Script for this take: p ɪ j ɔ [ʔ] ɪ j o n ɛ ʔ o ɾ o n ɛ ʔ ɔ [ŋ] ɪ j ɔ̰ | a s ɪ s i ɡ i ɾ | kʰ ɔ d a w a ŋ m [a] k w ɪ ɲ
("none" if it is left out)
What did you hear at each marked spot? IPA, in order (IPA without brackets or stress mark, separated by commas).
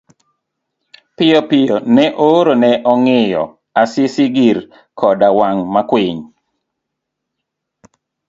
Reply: p, ŋ, a